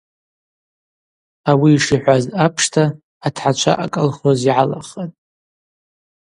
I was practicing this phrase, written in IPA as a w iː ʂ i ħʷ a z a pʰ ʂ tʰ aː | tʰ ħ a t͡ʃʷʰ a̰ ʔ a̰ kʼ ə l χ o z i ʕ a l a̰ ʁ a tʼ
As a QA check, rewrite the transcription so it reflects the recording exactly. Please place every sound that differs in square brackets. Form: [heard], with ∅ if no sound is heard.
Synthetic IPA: a w iː ʂ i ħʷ a z a pʰ ʂ tʰ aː | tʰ ħ a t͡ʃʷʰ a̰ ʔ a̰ kʼ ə l χ o z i ʕ a l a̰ [χ] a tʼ

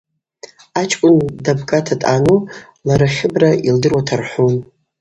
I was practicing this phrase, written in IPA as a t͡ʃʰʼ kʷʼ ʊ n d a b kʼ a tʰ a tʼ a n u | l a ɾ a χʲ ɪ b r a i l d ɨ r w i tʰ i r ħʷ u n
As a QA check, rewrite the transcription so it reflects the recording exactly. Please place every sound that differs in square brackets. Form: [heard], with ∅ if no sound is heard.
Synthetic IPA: a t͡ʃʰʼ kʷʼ ʊ n d a b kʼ a tʰ a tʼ a n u | l a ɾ a χʲ ɪ b r a i l d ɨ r w [a] tʰ [a] r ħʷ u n

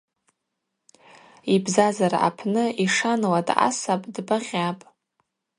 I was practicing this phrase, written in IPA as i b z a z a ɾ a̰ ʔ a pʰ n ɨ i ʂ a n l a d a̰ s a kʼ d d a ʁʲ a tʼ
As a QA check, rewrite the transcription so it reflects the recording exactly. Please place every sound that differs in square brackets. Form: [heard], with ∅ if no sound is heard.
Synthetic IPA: i b z a z a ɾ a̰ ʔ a pʰ n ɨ i ʂ a n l a d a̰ s a [pʼ] d [b] a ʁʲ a [pʼ]

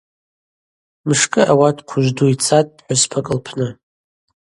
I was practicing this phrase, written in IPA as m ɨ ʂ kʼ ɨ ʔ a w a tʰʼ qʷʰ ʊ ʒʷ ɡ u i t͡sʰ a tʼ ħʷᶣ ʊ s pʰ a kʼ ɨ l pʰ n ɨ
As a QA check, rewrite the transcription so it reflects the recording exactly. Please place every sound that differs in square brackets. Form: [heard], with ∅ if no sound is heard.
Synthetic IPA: m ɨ ʂ kʼ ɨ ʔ a w a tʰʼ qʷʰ ʊ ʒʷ [d] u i t͡sʰ a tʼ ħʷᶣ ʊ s pʰ a kʼ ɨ l pʰ n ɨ

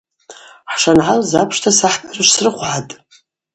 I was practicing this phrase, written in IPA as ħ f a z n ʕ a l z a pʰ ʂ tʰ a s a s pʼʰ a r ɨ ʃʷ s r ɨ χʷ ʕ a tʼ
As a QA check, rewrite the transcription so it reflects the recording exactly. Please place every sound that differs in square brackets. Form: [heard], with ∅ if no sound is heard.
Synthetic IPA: ħ [ʂ] a [∅] n ʕ a l z a pʰ ʂ tʰ a s a [ħ] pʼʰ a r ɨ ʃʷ s r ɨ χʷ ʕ a tʼ

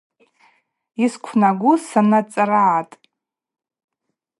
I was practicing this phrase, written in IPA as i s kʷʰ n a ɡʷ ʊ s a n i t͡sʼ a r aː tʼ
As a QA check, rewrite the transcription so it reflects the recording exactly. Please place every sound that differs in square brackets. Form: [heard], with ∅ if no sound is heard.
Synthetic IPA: i s kʷʰ n a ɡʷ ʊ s a n [a] t͡sʼ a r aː tʼ

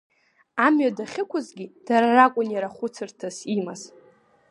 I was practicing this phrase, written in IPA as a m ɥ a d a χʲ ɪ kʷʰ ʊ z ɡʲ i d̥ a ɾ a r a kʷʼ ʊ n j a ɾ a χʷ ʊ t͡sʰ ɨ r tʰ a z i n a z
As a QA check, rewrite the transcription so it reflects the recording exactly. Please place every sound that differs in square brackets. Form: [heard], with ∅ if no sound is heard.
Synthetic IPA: a m ɥ a d a χʲ ɪ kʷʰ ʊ z ɡʲ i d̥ a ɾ a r a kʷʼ ʊ n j a ɾ a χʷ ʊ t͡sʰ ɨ r tʰ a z i [m] a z

